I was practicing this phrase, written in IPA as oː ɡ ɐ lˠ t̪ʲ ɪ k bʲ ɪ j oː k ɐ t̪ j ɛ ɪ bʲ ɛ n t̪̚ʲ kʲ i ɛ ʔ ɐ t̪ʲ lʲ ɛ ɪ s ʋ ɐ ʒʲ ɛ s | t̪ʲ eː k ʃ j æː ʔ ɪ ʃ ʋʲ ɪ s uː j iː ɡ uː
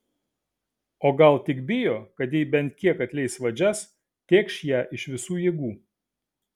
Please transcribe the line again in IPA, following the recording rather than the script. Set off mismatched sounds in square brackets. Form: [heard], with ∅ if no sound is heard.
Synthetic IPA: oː ɡ ɐ lˠ t̪ʲ ɪ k bʲ ɪ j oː k ɐ t̪ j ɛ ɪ bʲ ɛ n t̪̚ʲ kʲ i ɛ [k] ɐ t̪ʲ lʲ ɛ ɪ s ʋ ɐ [d͡ʒʲ] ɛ s | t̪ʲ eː k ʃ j æː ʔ ɪ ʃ ʋʲ ɪ s uː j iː ɡ uː